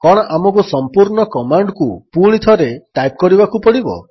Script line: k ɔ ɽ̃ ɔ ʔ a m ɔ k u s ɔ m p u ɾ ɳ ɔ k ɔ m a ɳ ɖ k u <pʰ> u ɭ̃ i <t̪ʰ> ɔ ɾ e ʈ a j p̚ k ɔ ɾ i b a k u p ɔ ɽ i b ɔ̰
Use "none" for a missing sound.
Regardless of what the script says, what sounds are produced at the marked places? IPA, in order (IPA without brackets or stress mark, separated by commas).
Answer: p, t̪ʰ